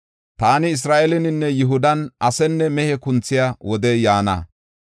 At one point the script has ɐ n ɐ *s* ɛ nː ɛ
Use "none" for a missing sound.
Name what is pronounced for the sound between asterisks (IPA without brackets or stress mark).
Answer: s